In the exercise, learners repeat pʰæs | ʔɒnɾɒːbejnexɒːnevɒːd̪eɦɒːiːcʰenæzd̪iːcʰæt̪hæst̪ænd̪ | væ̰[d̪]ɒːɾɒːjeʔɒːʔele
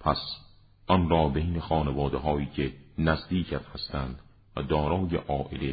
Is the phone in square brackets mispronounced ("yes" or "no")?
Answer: no